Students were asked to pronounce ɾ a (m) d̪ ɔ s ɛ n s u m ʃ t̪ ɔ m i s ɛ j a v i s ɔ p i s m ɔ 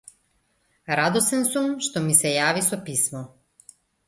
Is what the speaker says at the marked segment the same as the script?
no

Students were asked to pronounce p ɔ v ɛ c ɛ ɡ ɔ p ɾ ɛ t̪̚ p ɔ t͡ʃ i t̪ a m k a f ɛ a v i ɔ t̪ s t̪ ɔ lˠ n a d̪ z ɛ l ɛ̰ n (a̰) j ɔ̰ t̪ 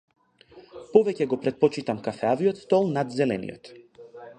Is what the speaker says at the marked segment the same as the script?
no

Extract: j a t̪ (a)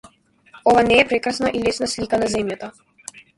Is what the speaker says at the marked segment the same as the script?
yes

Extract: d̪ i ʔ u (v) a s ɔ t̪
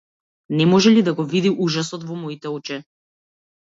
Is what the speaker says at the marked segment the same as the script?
no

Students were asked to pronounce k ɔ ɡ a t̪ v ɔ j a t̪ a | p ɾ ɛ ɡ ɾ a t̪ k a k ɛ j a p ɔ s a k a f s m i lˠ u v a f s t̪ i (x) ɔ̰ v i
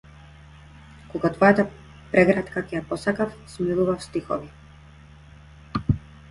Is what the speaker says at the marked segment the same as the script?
yes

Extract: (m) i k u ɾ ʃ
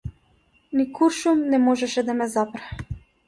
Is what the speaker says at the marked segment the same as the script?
no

